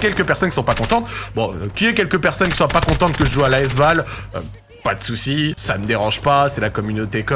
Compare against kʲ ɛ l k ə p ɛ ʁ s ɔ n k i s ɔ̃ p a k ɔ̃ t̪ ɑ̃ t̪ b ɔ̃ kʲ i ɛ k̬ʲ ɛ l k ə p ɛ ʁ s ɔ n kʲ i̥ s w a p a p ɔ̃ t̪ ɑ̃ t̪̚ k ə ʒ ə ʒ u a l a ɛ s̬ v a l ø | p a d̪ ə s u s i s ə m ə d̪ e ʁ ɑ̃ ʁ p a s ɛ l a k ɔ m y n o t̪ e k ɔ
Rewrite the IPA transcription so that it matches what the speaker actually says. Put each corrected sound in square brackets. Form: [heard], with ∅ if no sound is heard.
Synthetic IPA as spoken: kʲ ɛ l k ə p ɛ ʁ s ɔ n k i s ɔ̃ p a k ɔ̃ t̪ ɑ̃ t̪ b ɔ̃ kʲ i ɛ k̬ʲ ɛ l k ə p ɛ ʁ s ɔ n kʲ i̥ s w a p a [k] ɔ̃ t̪ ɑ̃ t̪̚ k ə ʒ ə ʒ u a l a ɛ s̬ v a l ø | p a d̪ ə s u s i s [a] m ə d̪ e ʁ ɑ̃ [ʒ] p a s ɛ l a k ɔ m y n o t̪ e k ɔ